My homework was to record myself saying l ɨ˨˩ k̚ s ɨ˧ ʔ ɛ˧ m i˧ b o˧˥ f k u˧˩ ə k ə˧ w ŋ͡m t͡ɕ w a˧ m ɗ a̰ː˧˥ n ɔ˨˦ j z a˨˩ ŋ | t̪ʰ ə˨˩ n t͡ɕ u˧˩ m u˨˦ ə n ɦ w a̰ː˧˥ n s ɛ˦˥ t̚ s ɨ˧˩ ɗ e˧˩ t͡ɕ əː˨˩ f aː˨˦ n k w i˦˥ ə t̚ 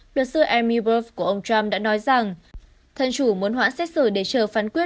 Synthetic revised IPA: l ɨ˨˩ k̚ s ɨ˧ ʔ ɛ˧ m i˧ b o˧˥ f k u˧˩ ə ʔ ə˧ w ŋ͡m t͡ɕ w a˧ m ɗ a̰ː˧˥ n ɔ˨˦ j z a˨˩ ŋ | t̪ʰ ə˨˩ n t͡ɕ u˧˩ m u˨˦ ə n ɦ w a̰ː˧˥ n s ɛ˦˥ t̚ s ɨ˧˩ ɗ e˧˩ t͡ɕ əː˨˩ f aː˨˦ n k w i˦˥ ə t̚